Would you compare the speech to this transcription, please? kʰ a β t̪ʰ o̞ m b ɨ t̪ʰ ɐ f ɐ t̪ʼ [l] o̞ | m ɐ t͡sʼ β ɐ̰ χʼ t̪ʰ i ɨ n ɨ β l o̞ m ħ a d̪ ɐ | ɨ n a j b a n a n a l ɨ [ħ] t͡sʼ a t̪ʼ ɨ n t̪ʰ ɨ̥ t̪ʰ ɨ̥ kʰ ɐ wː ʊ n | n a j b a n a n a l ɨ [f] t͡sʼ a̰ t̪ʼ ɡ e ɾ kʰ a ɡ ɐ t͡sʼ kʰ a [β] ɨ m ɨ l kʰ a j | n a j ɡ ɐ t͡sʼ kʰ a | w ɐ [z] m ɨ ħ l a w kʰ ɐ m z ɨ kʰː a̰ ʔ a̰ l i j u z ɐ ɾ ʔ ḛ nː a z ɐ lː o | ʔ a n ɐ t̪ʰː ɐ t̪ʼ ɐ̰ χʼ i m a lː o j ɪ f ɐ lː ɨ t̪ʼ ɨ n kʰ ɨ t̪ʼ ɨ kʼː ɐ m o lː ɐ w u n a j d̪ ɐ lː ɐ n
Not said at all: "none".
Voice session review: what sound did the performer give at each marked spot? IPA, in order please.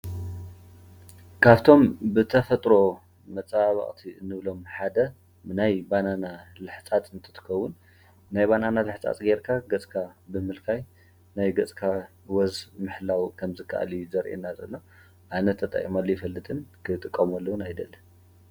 ɾ, ħ, ħ, b, z

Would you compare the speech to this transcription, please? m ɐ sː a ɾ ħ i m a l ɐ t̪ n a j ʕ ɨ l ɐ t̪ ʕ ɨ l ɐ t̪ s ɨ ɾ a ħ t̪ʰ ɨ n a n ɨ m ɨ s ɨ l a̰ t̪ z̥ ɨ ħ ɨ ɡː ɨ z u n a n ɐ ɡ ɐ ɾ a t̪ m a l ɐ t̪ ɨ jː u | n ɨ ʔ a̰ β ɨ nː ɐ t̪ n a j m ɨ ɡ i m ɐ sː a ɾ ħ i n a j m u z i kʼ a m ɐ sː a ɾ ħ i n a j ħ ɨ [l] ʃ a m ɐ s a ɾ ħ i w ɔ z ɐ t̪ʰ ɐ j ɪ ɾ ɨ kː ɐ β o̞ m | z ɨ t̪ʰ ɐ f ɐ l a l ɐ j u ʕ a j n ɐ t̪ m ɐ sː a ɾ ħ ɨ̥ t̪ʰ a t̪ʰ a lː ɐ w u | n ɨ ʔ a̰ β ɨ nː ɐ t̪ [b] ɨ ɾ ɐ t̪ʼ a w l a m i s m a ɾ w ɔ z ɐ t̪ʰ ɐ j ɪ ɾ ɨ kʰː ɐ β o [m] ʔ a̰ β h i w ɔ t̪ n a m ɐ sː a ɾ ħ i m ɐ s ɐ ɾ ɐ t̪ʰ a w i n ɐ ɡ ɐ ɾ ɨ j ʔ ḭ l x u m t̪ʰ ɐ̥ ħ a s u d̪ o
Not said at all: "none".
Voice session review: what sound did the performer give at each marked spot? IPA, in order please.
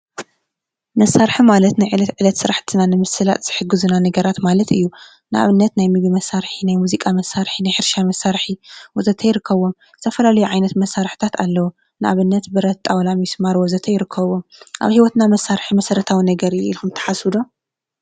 ɾ, b, m

